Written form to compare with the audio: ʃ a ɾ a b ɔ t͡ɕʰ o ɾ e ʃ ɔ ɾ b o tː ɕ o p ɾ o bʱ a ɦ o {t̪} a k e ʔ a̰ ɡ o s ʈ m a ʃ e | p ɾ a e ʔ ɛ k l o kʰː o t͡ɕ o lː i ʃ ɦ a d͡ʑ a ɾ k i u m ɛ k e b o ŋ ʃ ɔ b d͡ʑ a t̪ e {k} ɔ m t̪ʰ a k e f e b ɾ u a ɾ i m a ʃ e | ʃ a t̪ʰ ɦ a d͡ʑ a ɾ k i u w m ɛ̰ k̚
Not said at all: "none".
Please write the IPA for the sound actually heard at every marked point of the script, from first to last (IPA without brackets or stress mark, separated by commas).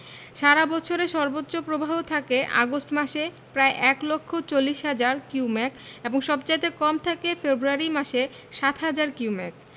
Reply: t̪ʰ, k